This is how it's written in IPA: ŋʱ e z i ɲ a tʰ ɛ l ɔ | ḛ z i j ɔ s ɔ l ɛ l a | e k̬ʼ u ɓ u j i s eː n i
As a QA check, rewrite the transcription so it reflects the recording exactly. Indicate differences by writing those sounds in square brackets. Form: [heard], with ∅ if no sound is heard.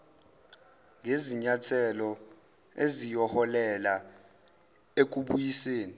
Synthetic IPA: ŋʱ e z i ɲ a tʰ ɛ l ɔ | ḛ z i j ɔ [h] ɔ l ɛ l a | e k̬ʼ u ɓ u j i s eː n i